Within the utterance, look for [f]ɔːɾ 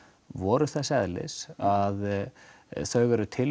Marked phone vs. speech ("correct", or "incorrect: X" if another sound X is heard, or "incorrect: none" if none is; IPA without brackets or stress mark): incorrect: v